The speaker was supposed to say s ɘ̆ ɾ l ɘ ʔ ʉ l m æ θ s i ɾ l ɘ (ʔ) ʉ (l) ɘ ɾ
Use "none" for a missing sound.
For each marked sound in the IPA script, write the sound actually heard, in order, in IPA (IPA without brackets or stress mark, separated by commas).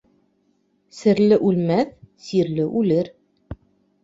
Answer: ʔ, l